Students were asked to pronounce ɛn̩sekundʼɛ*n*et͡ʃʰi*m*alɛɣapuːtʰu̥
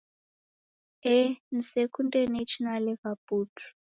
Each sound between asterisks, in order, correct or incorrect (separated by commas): correct, incorrect